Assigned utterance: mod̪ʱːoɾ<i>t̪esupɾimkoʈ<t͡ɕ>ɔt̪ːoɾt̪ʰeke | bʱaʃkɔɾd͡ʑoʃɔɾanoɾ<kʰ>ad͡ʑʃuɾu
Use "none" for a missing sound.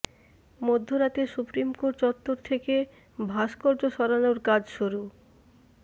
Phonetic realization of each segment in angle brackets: a, t͡ɕ, k

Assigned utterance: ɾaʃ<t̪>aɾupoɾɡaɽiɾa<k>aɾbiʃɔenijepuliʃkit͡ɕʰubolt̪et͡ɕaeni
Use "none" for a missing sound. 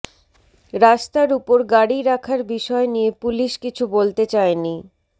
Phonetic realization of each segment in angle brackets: t̪, kʰ

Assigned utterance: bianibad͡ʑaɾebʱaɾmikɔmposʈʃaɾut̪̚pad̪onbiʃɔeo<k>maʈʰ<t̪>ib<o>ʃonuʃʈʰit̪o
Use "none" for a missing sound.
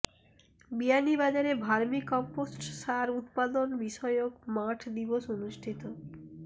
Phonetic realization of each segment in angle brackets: k, d̪, o

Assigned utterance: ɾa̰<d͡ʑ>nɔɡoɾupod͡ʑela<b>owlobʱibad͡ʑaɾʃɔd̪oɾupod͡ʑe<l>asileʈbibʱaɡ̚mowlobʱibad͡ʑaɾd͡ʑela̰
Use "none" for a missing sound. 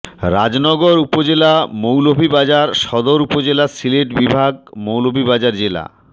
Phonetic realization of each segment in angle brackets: d͡ʑ, m, l

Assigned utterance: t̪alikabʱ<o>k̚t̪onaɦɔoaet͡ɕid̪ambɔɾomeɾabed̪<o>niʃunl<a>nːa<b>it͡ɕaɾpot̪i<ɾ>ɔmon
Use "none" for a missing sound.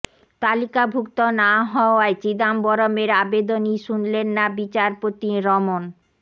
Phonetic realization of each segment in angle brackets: u, o, e, b, ɾ

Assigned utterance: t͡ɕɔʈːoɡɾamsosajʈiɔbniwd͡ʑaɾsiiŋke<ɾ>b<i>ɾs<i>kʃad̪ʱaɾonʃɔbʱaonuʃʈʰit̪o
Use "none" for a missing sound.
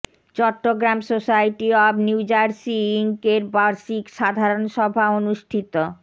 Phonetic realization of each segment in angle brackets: ɾ, a, i

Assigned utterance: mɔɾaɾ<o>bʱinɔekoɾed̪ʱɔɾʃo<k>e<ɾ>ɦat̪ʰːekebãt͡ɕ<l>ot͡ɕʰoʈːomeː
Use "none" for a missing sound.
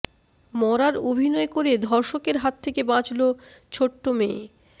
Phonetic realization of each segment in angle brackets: o, k, ɾ, l

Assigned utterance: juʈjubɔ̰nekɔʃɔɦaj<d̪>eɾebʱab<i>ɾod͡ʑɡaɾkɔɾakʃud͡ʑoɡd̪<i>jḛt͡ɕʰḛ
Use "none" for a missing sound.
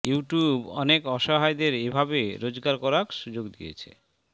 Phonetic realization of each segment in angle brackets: d̪, e, i

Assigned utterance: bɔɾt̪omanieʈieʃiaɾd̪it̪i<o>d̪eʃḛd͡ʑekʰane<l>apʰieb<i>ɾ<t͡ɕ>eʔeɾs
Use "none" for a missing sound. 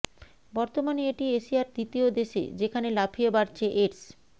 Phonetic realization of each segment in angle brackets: o, l, a, t͡ɕʰ

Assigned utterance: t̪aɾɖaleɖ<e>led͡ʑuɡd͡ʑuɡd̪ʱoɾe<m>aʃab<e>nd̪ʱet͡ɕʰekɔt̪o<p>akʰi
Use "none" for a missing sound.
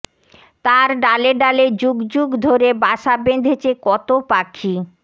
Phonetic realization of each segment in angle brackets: a, b, e, p

